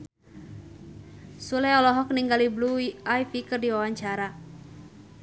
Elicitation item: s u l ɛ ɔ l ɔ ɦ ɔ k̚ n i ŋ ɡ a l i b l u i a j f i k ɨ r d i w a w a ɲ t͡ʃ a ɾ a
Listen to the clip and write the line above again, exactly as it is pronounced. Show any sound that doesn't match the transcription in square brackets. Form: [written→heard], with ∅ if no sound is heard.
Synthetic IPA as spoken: s u l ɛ ɔ l ɔ ɦ ɔ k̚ n i ŋ ɡ a l i b l u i a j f i k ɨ r d i w a w a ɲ t͡ʃ a ɾ a